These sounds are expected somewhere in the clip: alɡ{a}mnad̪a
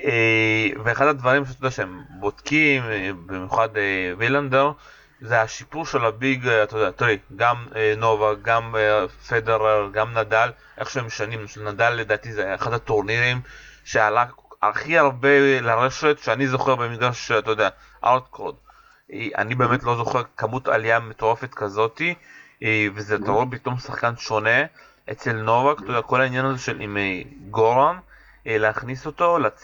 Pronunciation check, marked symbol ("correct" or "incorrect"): correct